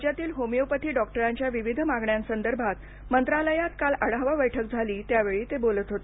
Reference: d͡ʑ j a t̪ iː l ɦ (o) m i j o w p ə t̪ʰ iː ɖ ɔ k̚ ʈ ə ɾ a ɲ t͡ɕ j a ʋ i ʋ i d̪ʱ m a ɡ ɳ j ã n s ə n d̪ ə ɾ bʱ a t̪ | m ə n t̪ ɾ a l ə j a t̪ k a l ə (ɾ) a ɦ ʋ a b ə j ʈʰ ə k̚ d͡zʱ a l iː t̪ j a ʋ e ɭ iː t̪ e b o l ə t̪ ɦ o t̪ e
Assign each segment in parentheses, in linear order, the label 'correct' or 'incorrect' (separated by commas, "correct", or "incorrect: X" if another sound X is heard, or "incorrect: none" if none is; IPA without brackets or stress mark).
correct, incorrect: ɽ